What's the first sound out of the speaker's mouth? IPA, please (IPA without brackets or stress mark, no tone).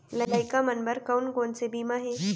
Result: l